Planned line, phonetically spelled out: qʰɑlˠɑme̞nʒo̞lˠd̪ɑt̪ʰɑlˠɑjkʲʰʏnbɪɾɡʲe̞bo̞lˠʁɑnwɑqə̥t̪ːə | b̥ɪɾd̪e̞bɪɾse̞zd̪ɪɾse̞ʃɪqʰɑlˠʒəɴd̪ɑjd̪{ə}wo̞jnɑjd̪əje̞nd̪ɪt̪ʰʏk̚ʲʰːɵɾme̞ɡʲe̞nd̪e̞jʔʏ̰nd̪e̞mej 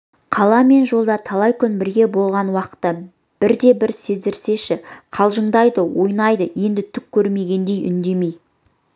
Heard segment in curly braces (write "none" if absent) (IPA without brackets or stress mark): ə